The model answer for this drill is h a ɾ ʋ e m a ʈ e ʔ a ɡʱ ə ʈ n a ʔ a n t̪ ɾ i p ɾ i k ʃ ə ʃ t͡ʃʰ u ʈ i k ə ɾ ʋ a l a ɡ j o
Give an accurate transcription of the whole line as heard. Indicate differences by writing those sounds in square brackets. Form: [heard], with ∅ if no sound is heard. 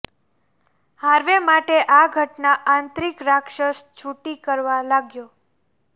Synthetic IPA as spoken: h a ɾ ʋ e m a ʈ e ʔ a ɡʱ ə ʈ n a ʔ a n t̪ ɾ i [k] ɾ [a] k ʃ ə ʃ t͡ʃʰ u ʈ i k ə ɾ ʋ a l a ɡ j o